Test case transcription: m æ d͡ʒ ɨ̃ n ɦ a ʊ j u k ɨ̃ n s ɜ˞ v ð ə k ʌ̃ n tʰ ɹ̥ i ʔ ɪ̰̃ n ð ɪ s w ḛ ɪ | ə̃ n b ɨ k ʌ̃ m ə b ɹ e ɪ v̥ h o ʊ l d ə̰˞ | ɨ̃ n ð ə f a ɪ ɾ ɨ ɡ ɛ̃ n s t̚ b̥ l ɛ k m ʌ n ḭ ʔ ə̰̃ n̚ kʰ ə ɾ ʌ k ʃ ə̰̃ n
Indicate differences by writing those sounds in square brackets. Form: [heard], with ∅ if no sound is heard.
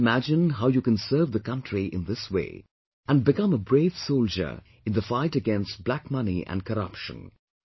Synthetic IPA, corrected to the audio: m æ d͡ʒ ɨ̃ n ɦ a ʊ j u k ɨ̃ n s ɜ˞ v ð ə k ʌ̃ n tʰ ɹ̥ i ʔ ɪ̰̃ n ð ɪ s w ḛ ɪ | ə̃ n b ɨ k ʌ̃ m ə b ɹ e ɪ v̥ [s] o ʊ l [d͡ʒ] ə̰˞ | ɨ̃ n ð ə f a ɪ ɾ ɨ ɡ ɛ̃ n s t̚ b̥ l [æ] k m ʌ n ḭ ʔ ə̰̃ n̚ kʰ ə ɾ ʌ [p] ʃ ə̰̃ n

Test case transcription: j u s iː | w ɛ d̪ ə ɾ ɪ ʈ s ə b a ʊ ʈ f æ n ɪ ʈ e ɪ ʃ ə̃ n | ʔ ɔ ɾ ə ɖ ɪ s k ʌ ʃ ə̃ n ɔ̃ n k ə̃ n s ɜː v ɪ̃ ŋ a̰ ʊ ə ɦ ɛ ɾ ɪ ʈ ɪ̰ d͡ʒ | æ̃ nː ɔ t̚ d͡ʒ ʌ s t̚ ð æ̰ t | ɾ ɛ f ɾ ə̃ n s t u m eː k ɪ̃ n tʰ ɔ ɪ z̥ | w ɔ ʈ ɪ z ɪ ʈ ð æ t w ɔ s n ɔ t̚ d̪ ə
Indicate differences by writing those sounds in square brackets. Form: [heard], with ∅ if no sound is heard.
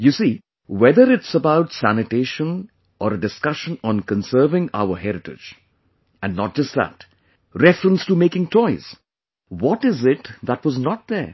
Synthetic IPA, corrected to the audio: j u s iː | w ɛ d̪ ə ɾ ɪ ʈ s ə b a ʊ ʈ [s] æ n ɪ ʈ e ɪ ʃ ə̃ n | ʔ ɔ ɾ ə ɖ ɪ s k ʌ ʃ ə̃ n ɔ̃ n k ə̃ n s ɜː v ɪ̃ ŋ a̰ ʊ ə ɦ ɛ ɾ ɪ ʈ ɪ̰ d͡ʒ | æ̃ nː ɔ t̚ d͡ʒ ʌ s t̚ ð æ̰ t | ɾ ɛ f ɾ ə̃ n s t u m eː k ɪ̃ [ŋ] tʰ ɔ ɪ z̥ | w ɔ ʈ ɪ z ɪ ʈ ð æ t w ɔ [z] n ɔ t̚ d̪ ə

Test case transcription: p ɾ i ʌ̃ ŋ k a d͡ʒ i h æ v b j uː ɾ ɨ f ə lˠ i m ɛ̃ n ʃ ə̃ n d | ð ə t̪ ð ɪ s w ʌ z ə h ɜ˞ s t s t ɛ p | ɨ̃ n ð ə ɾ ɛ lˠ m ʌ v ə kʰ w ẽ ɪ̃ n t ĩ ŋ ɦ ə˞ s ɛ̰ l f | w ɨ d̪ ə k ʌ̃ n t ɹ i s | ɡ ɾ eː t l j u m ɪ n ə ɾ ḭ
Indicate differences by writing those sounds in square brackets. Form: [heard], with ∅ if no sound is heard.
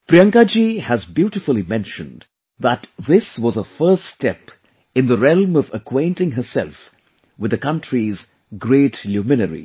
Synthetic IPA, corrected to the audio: p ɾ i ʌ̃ ŋ k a d͡ʒ i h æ [z] b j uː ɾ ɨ f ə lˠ i m ɛ̃ n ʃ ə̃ n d | ð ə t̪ ð ɪ s w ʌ z ə [f] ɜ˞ s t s t ɛ p | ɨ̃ n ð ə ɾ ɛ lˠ m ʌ v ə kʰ w ẽ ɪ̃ n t [ɪ̃] ŋ ɦ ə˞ s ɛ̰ l f | w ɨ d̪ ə k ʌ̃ n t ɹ i [z] | ɡ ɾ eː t l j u m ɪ n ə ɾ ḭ

